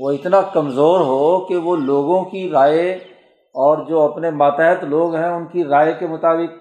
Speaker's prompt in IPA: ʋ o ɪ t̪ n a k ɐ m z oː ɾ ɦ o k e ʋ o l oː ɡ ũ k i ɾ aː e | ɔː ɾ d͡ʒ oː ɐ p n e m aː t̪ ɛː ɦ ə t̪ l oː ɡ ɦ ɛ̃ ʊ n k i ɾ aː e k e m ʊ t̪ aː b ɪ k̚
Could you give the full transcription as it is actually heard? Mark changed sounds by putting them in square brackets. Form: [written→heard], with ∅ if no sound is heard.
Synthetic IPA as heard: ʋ o ɪ t̪ n a k ɐ m z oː ɾ ɦ o k e ʋ o l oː ɡ [ũ→õ] k i ɾ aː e | ɔː ɾ d͡ʒ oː ɐ p n e m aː t̪ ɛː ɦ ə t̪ l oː ɡ ɦ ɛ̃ ʊ n k i ɾ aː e k e m ʊ t̪ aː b ɪ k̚